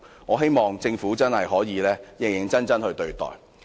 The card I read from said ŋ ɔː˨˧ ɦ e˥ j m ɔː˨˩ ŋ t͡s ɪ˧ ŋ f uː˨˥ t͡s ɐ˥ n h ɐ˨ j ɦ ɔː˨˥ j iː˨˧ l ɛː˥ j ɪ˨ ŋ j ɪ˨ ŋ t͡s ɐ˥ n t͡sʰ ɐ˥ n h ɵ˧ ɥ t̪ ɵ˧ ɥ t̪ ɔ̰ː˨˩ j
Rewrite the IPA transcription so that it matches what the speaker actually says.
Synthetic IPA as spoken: ŋ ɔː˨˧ ɦ e˥ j m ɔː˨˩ ŋ t͡s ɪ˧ ŋ f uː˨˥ t͡s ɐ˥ n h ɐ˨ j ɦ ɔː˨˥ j iː˨˧ l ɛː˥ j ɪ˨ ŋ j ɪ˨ ŋ t͡s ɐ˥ n t͡s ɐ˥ n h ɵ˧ ɥ t̪ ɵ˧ ɥ t̪ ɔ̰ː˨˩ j